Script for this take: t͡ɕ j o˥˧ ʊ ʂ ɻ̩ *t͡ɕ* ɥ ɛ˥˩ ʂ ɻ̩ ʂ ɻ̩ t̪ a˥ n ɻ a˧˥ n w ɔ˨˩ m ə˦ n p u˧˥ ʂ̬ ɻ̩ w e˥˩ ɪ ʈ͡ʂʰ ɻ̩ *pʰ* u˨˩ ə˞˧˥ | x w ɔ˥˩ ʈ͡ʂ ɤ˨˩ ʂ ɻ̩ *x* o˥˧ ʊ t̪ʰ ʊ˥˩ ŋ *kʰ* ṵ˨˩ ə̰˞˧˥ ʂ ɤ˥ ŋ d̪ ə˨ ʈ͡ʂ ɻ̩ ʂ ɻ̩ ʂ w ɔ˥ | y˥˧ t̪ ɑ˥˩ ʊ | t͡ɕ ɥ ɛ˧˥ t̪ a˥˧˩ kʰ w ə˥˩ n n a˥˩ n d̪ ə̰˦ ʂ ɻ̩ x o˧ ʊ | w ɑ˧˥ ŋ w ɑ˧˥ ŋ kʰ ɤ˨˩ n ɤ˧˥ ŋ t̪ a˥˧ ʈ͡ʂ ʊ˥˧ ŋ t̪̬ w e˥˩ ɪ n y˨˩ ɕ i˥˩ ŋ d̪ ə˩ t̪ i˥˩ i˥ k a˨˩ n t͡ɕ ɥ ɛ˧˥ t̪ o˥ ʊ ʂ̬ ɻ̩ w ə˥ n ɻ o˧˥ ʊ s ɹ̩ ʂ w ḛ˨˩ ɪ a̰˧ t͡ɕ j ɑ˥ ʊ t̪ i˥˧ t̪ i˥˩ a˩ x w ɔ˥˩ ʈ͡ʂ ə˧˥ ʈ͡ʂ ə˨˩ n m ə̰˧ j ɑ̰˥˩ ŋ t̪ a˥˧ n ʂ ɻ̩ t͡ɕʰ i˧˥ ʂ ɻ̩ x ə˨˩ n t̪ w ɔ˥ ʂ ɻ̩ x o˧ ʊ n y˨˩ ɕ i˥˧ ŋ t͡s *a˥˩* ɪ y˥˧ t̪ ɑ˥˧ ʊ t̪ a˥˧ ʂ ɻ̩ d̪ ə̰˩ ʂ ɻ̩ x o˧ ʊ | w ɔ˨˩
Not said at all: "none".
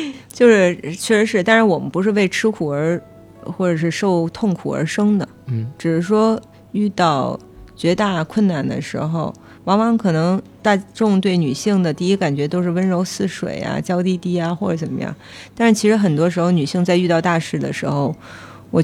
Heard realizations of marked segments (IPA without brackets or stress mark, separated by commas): t͡ɕʰ, kʰ, ʂ, kʰ, a˥˧